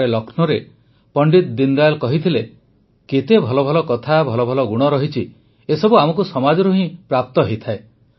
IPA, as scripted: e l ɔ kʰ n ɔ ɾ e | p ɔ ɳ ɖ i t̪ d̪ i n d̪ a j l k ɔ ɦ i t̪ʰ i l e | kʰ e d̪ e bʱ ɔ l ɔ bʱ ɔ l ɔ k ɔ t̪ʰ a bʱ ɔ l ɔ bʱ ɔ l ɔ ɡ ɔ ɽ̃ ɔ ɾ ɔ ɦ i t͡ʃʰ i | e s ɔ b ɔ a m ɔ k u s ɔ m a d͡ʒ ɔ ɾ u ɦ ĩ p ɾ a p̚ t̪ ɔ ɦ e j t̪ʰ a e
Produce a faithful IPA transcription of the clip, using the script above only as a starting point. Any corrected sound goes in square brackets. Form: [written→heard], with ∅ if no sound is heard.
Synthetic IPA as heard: e l ɔ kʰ n ɔ ɾ e | p ɔ ɳ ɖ i t̪ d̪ i n d̪ a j l k ɔ ɦ i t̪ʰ i l e | [kʰ→k] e [d̪→t̪] e bʱ ɔ l ɔ bʱ ɔ l ɔ k ɔ t̪ʰ a bʱ ɔ l ɔ bʱ ɔ l ɔ ɡ [ɔ→u] ɽ̃ ɔ ɾ ɔ ɦ i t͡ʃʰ i | e s ɔ b [ɔ→u] a m ɔ k u s ɔ m a d͡ʒ ɔ ɾ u ɦ ĩ p ɾ a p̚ t̪ ɔ ɦ e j t̪ʰ a e